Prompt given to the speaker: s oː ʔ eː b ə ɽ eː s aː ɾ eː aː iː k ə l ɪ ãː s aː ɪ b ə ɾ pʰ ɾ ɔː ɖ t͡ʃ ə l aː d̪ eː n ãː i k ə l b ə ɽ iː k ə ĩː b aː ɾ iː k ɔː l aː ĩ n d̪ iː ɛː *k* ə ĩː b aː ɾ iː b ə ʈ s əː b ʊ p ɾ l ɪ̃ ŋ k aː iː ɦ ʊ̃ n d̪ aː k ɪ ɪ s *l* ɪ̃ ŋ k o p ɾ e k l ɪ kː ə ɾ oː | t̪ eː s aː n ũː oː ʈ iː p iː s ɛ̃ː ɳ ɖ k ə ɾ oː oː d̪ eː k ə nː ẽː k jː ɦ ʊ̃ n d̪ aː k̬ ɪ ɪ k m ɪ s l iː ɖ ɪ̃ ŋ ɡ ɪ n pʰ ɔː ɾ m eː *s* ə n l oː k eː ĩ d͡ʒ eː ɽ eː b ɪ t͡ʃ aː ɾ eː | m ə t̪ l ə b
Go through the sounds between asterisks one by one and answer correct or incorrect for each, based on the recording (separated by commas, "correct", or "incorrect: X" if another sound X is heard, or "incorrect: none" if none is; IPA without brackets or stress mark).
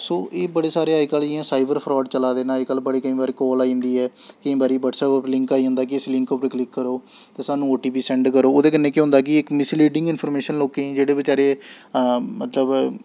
correct, correct, incorrect: ʃ